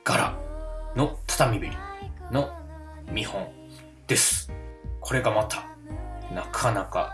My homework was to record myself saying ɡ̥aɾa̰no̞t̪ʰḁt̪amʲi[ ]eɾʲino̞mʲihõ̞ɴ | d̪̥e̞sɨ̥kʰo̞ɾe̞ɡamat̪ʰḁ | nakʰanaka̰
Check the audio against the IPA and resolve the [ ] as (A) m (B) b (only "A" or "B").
B